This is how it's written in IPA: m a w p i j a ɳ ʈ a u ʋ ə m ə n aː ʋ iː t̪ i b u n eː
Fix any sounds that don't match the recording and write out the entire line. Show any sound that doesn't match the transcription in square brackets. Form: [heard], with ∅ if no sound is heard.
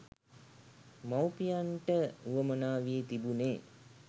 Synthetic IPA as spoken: m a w p i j a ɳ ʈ [ə] u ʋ ə m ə n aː ʋ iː t̪ i b u n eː